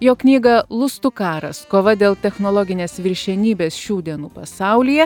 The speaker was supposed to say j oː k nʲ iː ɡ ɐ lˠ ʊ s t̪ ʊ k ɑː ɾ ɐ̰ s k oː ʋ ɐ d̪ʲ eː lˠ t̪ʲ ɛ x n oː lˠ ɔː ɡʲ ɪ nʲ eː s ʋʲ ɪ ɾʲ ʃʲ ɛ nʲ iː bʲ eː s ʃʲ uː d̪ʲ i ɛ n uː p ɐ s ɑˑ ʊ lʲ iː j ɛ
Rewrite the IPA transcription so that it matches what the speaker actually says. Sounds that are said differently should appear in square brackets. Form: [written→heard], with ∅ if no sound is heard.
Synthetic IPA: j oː k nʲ iː ɡ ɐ lˠ ʊ s t̪ ʊ k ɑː ɾ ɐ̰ s k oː ʋ ɐ d̪ʲ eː lˠ t̪ʲ ɛ x n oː lˠ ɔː ɡʲ ɪ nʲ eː s ʋʲ ɪ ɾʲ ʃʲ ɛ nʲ iː bʲ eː s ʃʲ uː d̪ʲ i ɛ n uː p ɐ s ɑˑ ʊ lʲ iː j ɛ

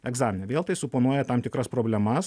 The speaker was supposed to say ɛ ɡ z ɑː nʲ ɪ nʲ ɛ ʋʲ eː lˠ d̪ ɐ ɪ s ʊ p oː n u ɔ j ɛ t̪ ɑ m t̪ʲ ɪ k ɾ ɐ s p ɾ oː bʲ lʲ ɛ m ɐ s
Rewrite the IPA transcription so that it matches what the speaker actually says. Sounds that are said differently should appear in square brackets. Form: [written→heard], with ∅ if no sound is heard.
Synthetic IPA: ɛ ɡ z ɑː [nʲ→mʲ] ɪ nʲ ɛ ʋʲ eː lˠ [d̪→t̪] ɐ ɪ s ʊ p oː n u ɔ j ɛ t̪ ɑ m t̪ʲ ɪ k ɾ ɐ s p ɾ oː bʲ lʲ ɛ m ɐ s

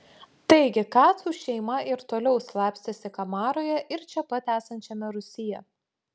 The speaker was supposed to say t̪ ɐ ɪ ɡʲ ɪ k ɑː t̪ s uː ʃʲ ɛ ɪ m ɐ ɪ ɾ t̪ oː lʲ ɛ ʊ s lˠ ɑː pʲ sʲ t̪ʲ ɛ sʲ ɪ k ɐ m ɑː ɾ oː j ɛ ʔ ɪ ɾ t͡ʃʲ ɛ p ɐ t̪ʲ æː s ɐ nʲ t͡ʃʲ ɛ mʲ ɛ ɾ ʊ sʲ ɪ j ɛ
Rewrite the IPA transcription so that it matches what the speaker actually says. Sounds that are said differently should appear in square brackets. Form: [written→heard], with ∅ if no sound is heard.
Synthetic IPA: t̪ ɐ ɪ ɡʲ ɪ k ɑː t̪ s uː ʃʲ ɛ ɪ m ɐ ɪ ɾ t̪ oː lʲ ɛ ʊ s lˠ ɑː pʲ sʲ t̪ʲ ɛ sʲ ɪ k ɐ m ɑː ɾ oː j ɛ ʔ ɪ ɾ t͡ʃʲ ɛ p ɐ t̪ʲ æː s ɐ nʲ t͡ʃʲ ɛ mʲ ɛ ɾ ʊ sʲ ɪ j ɛ

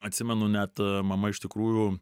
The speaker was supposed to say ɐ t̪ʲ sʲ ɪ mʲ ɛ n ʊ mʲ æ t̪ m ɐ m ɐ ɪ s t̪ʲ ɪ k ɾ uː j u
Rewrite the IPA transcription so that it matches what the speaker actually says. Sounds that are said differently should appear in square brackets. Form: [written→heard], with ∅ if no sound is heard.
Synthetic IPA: ɐ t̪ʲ sʲ ɪ mʲ ɛ n ʊ [mʲ→nʲ] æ t̪ m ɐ m ɐ ɪ [s→ʃ] t̪ʲ ɪ k ɾ uː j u

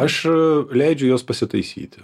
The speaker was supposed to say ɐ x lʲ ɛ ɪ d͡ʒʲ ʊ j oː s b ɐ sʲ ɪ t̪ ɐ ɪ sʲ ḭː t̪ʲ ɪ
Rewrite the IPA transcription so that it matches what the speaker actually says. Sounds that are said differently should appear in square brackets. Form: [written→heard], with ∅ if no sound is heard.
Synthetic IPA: ɐ [x→ʃ] lʲ ɛ ɪ d͡ʒʲ ʊ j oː s [b→p] ɐ sʲ ɪ t̪ ɐ ɪ sʲ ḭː t̪ʲ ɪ

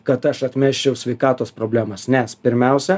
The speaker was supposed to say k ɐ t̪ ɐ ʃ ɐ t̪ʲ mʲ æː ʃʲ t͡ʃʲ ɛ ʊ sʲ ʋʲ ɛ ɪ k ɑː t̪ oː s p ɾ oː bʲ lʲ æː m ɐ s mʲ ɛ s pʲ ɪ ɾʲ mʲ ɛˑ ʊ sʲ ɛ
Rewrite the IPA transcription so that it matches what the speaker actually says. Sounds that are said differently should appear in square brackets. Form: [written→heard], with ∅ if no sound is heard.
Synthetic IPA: k ɐ t̪ ɐ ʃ ɐ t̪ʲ mʲ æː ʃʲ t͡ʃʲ ɛ ʊ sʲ ʋʲ ɛ ɪ k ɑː t̪ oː s p ɾ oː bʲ lʲ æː m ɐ s [mʲ→nʲ] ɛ s pʲ ɪ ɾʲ mʲ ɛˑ ʊ sʲ ɛ

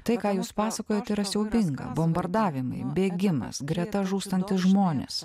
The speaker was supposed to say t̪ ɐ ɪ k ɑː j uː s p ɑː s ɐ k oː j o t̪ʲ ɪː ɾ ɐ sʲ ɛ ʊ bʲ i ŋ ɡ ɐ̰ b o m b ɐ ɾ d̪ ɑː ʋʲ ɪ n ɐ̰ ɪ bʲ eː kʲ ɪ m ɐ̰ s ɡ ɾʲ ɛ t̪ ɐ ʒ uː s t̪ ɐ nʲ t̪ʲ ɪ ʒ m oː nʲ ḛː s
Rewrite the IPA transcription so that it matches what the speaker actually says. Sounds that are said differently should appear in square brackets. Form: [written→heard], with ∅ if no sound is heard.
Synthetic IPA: t̪ ɐ ɪ k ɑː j uː s p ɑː s ɐ k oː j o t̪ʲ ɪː ɾ ɐ sʲ ɛ ʊ bʲ [i→ɪ] ŋ ɡ ɐ̰ b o m b ɐ ɾ d̪ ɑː ʋʲ ɪ [n→m] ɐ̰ ɪ bʲ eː [kʲ→ɡʲ] ɪ m ɐ̰ s ɡ ɾʲ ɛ t̪ ɐ ʒ uː s t̪ ɐ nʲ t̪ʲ ɪ ʒ m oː nʲ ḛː s

